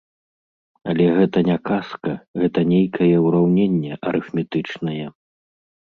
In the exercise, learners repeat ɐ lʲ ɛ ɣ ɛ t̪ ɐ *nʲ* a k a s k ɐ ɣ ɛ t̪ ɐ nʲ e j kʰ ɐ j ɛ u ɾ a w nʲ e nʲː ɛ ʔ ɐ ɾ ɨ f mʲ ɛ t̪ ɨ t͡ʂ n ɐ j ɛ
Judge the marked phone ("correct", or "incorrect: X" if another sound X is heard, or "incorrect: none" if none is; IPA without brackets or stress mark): correct